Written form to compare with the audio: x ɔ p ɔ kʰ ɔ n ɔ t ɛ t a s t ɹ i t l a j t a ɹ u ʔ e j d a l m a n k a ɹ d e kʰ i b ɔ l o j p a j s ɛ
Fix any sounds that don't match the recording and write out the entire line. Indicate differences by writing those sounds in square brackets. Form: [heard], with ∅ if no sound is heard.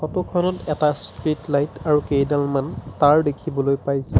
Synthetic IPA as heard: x ɔ [t] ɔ kʰ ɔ n ɔ t ɛ t a s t ɹ i t l a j t a ɹ u [k] e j d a l m a n [t] a ɹ d e kʰ i b ɔ l o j p a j s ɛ